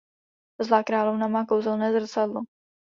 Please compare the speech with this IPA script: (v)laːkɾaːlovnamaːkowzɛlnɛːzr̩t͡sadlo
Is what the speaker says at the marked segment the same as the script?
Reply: no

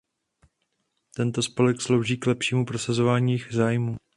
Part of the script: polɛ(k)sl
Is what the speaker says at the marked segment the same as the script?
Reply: yes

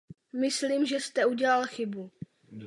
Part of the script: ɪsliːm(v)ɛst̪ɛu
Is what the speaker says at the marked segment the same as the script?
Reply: no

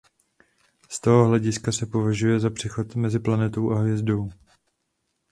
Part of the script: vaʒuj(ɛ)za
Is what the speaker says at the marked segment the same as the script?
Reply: yes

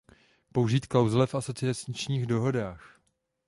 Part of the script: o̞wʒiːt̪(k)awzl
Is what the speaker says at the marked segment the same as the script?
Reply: yes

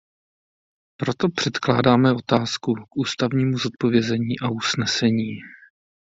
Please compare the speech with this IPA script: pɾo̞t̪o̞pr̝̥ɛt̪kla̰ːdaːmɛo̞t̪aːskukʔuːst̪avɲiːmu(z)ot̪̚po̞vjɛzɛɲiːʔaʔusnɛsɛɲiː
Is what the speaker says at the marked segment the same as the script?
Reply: yes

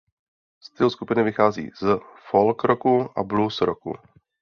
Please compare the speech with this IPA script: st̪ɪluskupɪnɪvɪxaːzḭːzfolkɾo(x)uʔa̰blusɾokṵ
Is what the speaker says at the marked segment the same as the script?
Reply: no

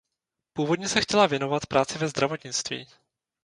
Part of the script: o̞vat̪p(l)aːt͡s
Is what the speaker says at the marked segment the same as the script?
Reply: no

